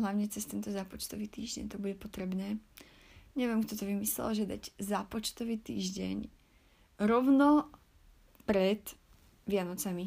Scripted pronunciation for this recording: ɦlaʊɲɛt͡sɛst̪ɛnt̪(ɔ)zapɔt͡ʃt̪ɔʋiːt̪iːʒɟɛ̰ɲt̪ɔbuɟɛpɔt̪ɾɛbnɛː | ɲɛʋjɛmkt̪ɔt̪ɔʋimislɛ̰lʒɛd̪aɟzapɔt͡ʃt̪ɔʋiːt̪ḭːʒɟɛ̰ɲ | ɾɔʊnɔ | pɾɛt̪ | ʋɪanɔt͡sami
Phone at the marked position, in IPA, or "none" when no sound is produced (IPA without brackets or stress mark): ɔ